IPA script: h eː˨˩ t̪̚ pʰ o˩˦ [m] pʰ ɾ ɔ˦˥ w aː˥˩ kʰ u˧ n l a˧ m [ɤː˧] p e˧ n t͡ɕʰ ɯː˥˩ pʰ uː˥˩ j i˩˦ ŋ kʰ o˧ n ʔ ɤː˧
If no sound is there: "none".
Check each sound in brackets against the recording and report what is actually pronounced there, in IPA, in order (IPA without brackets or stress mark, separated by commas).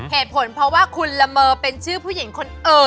n, ɤː˧